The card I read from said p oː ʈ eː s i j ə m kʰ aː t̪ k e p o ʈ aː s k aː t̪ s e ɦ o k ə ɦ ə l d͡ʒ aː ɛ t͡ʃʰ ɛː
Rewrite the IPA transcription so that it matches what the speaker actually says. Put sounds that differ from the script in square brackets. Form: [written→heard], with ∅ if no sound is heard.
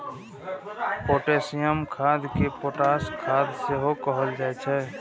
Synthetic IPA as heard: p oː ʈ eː s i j ə m kʰ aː [t̪→d̪] k e p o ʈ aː s [k→kʰ] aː [t̪→d̪] s e ɦ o k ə ɦ ə l d͡ʒ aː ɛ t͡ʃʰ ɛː